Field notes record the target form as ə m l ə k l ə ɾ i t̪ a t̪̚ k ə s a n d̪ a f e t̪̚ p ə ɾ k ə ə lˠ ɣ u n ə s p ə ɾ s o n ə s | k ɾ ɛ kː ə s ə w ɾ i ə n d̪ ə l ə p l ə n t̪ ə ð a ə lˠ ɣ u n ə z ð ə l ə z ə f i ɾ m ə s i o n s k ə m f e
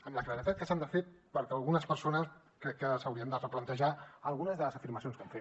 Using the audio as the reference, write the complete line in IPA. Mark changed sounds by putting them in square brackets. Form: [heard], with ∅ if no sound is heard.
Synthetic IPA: ə m l ə k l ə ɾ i t̪ a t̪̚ k ə s a n d̪ [ə] f e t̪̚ p ə ɾ k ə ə lˠ ɣ u n ə s p ə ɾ s o n ə s | k ɾ ɛ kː ə s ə w ɾ i ə n d̪ ə [r] ə p l ə n t̪ ə [ʒ] a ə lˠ ɣ u n ə z ð ə l ə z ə f i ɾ m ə s i o n s k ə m f e